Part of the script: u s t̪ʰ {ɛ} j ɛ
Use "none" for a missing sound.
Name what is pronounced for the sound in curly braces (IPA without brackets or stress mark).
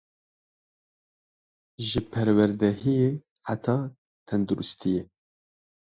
i